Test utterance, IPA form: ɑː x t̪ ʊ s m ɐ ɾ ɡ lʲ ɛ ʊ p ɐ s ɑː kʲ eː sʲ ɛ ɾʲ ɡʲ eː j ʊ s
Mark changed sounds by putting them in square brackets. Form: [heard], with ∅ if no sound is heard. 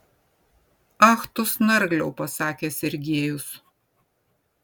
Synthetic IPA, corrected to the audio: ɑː x t̪ ʊ s [n] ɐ ɾ ɡ lʲ ɛ ʊ p ɐ s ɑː kʲ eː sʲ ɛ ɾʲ ɡʲ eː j ʊ s